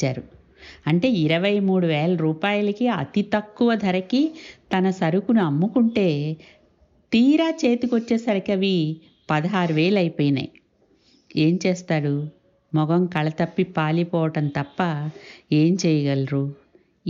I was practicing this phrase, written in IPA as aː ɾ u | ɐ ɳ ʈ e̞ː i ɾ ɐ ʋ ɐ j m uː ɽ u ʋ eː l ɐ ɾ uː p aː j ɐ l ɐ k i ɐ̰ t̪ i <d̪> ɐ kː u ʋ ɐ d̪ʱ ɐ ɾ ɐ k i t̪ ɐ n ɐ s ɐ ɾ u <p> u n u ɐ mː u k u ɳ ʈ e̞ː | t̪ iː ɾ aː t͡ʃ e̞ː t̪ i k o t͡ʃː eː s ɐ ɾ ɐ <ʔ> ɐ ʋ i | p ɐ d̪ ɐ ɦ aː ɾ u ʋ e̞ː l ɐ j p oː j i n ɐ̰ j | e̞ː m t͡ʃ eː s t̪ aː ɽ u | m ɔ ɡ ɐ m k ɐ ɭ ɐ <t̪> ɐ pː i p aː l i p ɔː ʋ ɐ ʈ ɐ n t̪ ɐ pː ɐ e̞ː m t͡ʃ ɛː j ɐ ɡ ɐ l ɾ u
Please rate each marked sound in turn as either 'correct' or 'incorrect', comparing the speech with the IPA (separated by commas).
incorrect, incorrect, incorrect, correct